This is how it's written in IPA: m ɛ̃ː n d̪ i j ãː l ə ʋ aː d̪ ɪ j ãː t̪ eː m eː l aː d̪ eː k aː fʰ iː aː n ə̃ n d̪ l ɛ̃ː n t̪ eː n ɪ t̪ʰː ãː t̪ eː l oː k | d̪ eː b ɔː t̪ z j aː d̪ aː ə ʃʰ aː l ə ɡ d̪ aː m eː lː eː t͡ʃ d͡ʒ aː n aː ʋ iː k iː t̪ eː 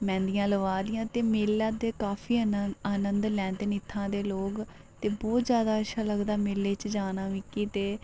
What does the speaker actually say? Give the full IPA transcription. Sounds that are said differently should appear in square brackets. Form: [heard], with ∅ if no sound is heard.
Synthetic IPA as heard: m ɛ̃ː n d̪ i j ãː l ə ʋ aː d̪ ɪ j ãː t̪ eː m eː l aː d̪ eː k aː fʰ iː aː n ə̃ n d̪ l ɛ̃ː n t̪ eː n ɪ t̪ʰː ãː [d̪] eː l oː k | [t̪] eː b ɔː t̪ z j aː d̪ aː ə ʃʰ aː l ə ɡ d̪ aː m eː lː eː t͡ʃ d͡ʒ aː n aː ʋ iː k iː t̪ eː